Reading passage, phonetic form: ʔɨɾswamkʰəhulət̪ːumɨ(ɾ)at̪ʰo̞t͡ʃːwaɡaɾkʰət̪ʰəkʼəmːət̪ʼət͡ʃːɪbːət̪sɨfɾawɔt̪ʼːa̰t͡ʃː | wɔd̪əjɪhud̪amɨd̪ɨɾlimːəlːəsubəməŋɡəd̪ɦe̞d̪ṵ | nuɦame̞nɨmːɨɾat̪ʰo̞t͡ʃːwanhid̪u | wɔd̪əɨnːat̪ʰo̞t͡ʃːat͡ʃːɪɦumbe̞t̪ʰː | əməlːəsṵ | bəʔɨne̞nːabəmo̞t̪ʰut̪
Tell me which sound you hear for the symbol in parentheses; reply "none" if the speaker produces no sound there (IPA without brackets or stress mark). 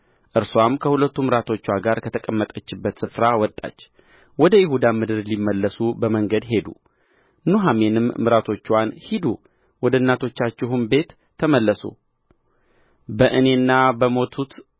ɾ